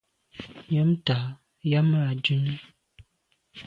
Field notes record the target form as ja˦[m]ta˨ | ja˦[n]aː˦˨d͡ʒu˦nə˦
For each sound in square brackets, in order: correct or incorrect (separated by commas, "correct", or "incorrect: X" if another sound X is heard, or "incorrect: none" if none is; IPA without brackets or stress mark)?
correct, incorrect: m